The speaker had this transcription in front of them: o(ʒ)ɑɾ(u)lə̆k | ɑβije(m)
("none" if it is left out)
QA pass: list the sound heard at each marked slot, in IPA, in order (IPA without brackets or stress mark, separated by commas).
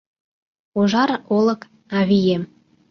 ʒ, o, m